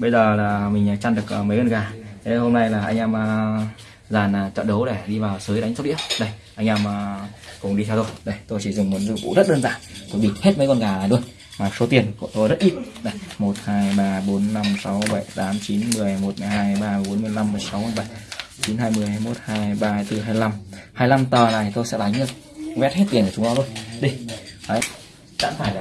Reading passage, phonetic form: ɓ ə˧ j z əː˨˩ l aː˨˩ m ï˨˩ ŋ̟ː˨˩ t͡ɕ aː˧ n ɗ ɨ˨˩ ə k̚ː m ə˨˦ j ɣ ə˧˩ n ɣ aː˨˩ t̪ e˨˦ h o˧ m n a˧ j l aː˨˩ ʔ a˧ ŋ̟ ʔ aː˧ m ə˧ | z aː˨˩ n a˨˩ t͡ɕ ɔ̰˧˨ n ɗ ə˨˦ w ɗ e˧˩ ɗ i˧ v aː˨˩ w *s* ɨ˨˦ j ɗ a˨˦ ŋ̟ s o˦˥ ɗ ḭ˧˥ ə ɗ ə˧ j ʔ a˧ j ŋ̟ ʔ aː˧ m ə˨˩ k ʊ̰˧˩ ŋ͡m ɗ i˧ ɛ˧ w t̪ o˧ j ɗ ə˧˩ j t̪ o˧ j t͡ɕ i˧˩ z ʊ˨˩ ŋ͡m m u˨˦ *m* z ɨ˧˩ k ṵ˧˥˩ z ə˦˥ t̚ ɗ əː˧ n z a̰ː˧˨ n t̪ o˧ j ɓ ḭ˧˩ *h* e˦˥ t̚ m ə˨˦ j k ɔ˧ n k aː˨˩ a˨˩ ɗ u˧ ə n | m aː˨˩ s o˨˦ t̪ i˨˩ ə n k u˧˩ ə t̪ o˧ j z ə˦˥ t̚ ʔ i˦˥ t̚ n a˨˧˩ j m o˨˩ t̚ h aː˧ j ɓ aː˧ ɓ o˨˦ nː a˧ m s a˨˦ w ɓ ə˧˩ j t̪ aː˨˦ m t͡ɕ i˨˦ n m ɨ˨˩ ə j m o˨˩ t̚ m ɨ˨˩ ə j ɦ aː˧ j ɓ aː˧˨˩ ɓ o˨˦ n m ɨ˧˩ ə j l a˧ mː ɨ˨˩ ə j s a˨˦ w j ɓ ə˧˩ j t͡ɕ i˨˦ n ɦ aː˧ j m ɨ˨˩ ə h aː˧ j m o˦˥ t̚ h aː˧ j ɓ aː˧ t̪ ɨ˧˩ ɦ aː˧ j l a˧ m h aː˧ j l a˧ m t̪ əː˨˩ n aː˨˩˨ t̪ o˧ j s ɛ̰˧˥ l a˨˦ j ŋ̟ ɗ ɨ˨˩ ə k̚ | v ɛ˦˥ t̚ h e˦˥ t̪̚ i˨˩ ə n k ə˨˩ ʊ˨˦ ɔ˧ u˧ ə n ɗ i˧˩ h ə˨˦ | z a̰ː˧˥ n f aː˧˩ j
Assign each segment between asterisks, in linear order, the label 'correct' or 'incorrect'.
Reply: correct, incorrect: n, correct

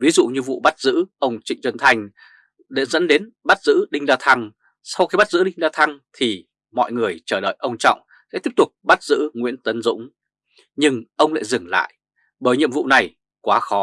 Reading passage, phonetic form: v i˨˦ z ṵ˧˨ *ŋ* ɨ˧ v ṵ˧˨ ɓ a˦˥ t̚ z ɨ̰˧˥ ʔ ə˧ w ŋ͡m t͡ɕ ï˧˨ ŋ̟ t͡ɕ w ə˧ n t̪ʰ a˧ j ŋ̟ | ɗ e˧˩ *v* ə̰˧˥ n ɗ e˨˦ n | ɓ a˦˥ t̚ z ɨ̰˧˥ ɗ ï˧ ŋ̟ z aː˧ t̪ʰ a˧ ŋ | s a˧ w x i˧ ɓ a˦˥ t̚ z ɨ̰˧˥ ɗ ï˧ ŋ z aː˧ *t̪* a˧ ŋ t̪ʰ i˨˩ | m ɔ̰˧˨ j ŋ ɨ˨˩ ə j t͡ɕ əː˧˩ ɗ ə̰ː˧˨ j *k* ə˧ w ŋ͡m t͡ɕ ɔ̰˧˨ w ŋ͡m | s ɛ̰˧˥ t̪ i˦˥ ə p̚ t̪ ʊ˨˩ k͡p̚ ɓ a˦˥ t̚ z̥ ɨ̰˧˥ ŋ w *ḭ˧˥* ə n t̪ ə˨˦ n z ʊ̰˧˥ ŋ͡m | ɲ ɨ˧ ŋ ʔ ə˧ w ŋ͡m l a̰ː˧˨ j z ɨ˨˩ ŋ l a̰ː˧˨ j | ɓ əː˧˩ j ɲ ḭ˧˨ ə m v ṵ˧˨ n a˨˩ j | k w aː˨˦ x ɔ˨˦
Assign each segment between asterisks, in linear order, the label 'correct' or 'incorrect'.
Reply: incorrect: ɲ, incorrect: z, incorrect: t̪ʰ, incorrect: ʔ, correct

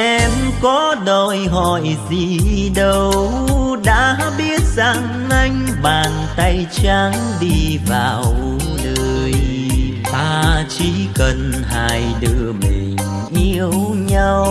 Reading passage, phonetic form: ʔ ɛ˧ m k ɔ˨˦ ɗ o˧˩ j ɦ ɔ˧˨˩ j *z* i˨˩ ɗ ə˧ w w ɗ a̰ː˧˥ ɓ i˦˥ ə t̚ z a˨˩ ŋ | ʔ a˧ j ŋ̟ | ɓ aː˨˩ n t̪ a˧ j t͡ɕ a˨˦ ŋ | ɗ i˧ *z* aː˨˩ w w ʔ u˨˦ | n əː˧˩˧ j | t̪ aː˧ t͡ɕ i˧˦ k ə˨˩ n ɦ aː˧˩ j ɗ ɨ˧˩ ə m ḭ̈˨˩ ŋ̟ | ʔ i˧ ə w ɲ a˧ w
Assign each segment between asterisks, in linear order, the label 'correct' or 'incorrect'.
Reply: correct, incorrect: v

